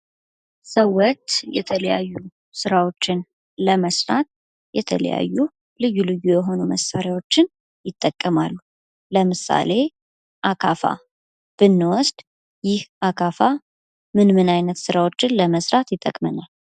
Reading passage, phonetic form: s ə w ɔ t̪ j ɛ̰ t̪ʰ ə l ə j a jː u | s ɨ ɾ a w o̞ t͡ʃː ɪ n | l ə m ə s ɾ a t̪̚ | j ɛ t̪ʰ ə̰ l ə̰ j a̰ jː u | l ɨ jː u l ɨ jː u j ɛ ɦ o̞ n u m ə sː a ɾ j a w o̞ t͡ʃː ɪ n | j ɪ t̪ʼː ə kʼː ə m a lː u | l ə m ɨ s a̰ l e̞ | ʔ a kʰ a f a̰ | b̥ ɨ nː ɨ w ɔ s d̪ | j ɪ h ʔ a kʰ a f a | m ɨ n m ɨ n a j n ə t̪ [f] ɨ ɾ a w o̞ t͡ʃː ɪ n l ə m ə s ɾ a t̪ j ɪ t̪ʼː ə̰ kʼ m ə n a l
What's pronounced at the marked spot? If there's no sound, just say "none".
s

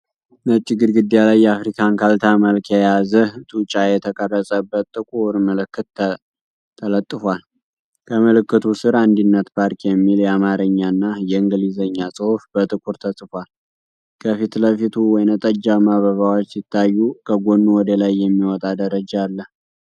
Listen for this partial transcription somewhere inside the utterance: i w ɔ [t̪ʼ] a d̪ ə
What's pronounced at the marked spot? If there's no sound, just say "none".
t̪ʼ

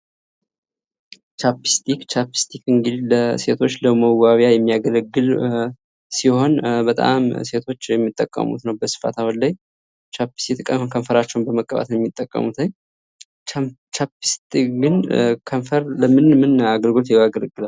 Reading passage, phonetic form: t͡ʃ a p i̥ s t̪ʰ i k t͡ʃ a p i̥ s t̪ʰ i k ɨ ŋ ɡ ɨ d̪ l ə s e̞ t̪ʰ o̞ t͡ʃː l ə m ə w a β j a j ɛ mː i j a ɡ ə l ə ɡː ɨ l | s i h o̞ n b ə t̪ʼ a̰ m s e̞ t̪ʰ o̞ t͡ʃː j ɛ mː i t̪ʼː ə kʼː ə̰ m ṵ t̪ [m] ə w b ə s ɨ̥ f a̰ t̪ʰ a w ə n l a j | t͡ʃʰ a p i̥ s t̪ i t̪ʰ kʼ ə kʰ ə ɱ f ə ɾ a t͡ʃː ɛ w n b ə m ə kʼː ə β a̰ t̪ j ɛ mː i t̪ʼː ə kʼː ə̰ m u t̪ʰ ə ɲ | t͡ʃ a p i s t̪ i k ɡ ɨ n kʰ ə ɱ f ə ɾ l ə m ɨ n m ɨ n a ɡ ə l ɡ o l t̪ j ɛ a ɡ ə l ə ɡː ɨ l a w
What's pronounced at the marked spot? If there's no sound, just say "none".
n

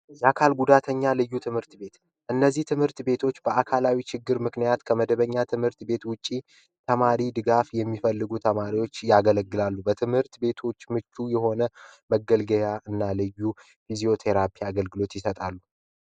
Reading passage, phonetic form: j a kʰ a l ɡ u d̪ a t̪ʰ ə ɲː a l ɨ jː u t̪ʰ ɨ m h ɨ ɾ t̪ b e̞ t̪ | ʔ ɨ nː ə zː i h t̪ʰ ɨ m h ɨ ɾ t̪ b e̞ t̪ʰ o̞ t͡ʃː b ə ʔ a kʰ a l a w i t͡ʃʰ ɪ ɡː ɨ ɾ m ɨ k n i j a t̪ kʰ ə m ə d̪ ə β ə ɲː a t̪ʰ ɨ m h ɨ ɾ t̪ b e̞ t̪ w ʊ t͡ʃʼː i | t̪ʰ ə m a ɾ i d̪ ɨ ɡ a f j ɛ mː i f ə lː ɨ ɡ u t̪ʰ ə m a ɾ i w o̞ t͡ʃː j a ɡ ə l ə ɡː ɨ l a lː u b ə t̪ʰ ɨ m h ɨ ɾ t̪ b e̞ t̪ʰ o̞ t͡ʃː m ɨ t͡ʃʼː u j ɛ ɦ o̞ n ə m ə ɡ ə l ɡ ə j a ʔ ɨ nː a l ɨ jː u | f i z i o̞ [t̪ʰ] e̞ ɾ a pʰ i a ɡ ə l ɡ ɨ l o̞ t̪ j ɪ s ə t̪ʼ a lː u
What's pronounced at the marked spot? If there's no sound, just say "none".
t̪ʰ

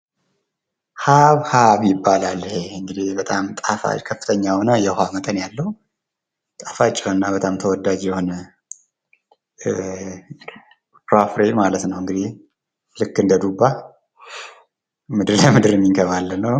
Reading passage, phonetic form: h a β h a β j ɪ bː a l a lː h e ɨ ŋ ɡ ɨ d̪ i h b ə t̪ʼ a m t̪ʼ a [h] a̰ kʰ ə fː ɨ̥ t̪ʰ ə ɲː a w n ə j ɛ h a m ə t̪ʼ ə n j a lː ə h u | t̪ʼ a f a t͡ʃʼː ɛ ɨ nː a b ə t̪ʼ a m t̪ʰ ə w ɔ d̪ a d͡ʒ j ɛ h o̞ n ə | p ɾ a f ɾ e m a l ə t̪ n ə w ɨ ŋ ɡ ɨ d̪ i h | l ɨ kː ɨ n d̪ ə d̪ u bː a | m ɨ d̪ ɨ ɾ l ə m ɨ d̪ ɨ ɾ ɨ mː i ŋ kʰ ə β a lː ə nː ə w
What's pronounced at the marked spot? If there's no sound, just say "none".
f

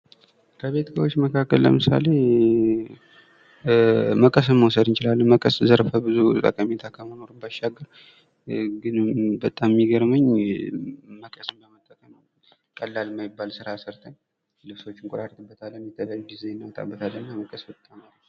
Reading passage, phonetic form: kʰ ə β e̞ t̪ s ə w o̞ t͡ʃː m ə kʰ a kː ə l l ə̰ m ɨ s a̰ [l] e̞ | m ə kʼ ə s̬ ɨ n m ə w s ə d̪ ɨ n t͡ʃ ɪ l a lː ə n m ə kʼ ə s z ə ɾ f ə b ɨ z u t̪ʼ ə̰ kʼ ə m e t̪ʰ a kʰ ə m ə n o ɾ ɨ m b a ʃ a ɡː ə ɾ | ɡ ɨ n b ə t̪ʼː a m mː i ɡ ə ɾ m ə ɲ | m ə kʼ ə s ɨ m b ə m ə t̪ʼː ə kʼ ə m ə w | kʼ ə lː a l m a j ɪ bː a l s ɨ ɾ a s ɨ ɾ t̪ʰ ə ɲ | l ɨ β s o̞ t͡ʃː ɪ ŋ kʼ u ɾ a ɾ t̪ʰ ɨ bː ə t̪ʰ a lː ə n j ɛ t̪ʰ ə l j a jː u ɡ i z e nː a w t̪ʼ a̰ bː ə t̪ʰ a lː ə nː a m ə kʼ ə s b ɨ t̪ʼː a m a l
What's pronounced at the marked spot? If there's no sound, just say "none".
l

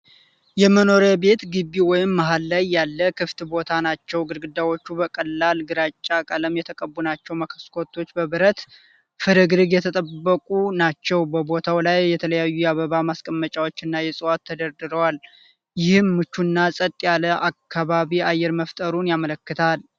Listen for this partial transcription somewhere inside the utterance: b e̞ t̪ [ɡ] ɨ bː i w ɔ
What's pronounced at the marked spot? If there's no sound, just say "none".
ɡ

